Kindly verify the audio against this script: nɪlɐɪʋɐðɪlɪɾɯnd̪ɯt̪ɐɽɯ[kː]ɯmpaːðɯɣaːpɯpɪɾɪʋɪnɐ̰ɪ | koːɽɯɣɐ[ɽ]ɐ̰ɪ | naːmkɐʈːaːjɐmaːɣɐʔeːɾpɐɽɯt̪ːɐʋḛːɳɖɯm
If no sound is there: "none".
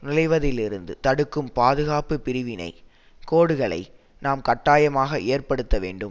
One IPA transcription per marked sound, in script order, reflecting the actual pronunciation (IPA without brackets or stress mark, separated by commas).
kː, ɭ